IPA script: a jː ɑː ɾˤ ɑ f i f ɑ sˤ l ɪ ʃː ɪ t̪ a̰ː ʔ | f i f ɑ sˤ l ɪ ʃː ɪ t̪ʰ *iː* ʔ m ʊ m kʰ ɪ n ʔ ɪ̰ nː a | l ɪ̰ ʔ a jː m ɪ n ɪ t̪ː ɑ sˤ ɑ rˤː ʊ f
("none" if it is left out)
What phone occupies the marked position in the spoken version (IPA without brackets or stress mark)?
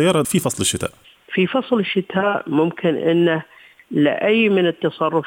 aː